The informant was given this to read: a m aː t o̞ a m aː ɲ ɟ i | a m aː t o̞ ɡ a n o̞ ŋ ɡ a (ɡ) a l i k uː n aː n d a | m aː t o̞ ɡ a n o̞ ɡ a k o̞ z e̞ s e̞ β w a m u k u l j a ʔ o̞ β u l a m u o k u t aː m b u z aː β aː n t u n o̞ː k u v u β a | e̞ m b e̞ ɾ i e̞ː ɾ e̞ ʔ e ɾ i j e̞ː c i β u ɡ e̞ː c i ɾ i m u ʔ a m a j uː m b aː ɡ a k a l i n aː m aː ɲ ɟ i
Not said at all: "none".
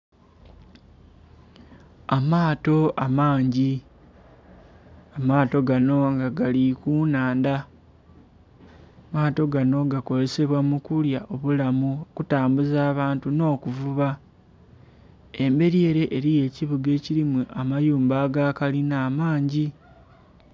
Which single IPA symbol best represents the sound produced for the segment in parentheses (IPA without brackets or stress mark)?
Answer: ɡ